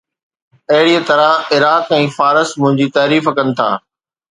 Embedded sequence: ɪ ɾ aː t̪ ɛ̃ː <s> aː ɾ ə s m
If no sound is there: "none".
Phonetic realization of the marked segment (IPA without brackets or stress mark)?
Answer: f